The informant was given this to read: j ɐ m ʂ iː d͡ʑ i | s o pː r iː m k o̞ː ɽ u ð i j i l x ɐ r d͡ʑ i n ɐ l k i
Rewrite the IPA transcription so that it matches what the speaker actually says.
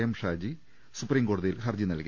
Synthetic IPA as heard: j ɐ m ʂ aː d͡ʑ i | s u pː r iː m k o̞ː ɽ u ð i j i l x ɐ r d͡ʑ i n ɐ l k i

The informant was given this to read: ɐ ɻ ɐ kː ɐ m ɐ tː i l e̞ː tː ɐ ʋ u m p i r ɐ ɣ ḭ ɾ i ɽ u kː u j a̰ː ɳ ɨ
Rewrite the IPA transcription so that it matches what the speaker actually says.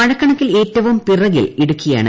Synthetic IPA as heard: ɐ ɻ ɐ kː ɐ ɳ ɐ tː i l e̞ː tː ɐ ʋ u m p i r ɐ ɣ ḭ l i ɽ u kː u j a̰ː ɳ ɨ

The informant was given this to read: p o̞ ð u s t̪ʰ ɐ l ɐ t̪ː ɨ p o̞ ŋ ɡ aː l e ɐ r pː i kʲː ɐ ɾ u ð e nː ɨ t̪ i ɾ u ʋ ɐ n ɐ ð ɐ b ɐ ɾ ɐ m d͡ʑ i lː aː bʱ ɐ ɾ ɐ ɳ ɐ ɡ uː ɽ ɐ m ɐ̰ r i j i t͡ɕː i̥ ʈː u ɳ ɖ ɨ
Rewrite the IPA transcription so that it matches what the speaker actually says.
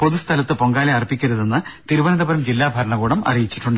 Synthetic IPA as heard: p o̞ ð u s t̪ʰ ɐ l ɐ t̪ː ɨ p o̞ ŋ ɡ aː l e ɐ r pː i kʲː ɐ ɾ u ð e nː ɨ t̪ i ɾ u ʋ ɐ n ɐ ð ɐ b ɐ ɾ ɐ m d͡ʑ i lː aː bʱ ɐ ɾ ɐ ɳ ɐ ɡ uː ɽ ɐ m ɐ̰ r i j i t͡ɕː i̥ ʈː u ɳ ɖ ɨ

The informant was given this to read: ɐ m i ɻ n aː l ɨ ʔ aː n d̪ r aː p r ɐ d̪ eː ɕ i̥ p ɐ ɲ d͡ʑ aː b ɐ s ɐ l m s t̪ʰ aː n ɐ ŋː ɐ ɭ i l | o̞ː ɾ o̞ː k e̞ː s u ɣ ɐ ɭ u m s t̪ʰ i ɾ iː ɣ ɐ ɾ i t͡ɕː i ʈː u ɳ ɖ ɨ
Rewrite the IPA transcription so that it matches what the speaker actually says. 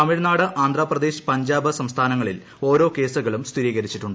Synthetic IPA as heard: ɐ m i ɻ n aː ɽ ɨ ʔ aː n d̪ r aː p r ɐ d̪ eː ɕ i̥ p ɐ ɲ d͡ʑ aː b ɐ s ɐ m s t̪ʰ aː n ɐ ŋː ɐ ɭ i l | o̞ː ɾ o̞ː k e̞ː s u ɣ ɐ ɭ u m s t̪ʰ i ɾ iː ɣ ɐ ɾ i t͡ɕː i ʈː u ɳ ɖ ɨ

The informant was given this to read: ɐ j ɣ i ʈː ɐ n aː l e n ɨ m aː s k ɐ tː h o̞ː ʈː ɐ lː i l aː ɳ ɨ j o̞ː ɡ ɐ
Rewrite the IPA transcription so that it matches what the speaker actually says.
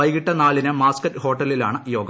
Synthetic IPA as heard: ɐ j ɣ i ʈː ɐ n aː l i n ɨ m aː s k ɐ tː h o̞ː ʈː ɐ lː i l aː ɳ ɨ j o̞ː ɡ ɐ

